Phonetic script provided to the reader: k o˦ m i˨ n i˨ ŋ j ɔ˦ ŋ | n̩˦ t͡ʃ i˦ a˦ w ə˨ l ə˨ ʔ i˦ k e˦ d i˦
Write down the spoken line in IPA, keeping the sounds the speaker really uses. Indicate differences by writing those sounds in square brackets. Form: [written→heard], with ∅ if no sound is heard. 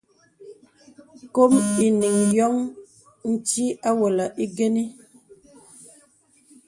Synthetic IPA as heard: k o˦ m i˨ n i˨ ŋ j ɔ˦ ŋ | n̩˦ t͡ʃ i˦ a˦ w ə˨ l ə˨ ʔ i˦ [k→ɡ] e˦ [d→n] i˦